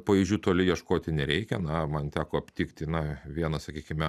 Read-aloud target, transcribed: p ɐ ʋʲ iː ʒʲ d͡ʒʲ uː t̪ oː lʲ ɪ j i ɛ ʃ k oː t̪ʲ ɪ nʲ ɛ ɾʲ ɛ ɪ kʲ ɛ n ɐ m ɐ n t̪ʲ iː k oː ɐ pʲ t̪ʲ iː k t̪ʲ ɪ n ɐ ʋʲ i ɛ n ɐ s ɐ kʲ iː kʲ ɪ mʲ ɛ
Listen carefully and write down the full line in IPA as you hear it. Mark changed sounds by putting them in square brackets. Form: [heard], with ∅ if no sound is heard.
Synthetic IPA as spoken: p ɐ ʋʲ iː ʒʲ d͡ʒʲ uː t̪ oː lʲ ɪ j i ɛ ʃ k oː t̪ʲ ɪ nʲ ɛ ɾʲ ɛ ɪ kʲ ɛ n ɐ m ɐ n t̪ʲ [æː] k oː ɐ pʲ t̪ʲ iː k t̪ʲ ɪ n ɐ ʋʲ i ɛ n ɐ s ɐ kʲ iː kʲ ɪ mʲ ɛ